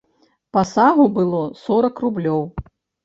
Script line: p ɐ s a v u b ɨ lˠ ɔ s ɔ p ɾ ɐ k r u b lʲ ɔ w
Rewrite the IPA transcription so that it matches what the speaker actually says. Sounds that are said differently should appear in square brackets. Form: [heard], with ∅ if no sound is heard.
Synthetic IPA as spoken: p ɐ s a [ɣ] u b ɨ lˠ ɔ s ɔ [∅] ɾ ɐ k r u b lʲ ɔ w